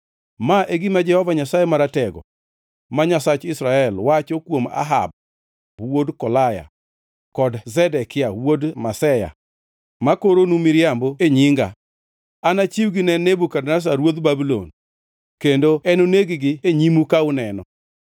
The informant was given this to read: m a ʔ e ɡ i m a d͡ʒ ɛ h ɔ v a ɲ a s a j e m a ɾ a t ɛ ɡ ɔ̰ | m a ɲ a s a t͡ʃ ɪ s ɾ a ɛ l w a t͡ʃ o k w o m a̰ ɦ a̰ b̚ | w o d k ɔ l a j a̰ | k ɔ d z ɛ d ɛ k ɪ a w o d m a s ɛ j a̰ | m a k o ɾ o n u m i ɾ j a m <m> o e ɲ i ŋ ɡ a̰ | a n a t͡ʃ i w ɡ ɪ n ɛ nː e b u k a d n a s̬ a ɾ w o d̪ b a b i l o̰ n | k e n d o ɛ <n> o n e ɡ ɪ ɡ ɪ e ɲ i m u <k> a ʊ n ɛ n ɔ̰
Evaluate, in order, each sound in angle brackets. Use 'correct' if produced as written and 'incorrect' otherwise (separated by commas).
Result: incorrect, correct, correct